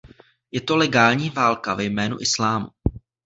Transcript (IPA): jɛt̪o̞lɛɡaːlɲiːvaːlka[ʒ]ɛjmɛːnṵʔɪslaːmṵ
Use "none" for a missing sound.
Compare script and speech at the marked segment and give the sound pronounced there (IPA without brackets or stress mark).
v